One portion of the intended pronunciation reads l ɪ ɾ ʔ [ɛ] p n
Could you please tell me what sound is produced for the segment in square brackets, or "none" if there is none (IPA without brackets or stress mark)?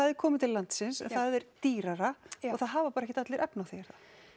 ɛ